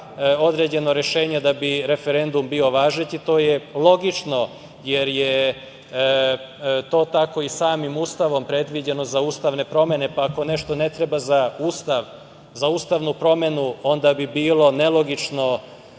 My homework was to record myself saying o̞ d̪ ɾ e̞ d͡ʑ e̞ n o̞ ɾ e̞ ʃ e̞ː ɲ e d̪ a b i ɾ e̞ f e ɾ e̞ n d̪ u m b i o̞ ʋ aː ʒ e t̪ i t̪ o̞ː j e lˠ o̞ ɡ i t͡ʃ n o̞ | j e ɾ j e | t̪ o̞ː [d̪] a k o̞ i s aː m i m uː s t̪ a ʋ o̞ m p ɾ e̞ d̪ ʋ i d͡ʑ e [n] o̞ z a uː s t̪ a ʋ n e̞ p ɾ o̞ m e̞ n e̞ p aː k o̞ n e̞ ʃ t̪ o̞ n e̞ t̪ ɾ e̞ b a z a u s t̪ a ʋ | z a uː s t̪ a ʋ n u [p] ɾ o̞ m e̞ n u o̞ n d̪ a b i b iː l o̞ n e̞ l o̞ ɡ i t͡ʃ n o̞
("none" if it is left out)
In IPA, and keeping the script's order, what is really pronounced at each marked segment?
t̪, n, p

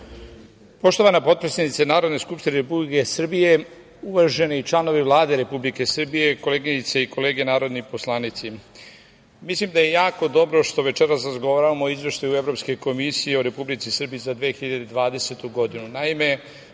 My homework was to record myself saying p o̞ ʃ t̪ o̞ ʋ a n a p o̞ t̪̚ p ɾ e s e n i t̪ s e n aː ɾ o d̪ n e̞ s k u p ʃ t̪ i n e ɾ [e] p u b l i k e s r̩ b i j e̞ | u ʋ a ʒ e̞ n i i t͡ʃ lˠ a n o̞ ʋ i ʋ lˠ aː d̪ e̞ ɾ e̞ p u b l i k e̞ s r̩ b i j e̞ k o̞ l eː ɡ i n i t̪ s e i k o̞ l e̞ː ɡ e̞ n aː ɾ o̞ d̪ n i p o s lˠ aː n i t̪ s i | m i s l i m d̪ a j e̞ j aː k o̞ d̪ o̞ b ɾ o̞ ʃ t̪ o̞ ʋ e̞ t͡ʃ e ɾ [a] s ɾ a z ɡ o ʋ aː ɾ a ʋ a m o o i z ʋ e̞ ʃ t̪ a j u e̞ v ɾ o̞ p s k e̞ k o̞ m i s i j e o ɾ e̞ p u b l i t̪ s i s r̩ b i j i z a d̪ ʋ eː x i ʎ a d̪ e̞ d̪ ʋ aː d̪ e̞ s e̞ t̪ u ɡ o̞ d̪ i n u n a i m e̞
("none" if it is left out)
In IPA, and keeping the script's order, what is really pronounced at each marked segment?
e, a

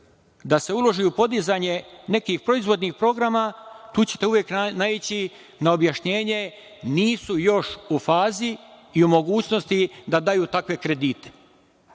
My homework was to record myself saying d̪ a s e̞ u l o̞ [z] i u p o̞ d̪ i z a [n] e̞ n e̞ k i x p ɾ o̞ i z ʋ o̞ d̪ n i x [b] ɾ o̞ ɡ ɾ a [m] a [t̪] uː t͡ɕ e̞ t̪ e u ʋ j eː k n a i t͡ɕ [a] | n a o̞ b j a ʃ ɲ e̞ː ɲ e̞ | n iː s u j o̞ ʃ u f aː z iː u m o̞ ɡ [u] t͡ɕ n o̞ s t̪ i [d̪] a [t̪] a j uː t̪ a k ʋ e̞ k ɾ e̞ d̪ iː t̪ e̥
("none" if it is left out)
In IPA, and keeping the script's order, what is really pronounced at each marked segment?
ʒ, ɲ, p, m, t̪, i, uː, d̪, d̪

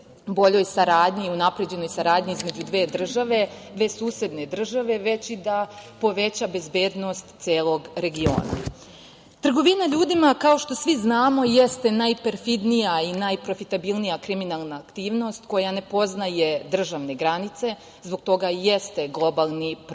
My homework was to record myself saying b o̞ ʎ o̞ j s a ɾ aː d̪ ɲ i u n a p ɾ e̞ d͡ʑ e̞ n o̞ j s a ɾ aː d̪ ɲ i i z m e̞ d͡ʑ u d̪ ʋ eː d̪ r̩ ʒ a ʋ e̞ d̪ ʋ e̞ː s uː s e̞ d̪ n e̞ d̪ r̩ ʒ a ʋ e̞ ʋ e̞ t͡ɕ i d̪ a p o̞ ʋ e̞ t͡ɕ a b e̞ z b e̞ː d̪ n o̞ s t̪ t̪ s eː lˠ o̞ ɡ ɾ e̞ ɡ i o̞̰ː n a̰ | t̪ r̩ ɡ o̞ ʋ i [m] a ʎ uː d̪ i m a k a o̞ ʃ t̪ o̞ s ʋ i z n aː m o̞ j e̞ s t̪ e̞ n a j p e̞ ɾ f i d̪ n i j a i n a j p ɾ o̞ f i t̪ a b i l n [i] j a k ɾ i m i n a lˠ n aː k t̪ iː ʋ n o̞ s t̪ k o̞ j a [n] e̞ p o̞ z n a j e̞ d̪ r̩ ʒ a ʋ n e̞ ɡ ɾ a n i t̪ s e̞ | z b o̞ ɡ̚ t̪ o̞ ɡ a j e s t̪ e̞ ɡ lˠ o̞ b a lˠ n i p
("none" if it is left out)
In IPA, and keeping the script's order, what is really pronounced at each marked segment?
n, i, n

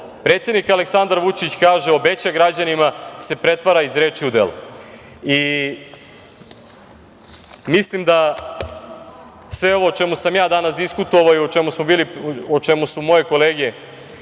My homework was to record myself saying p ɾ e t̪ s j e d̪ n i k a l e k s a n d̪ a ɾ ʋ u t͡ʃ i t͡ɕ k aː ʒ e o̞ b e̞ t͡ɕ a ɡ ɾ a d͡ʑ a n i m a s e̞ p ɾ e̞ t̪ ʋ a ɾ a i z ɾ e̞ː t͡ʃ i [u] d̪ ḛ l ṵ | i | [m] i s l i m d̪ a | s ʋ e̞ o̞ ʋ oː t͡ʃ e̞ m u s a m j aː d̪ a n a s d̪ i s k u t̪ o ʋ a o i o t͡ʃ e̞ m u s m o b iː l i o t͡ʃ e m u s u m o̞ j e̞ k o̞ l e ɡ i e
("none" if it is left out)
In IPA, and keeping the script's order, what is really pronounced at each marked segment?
u, m

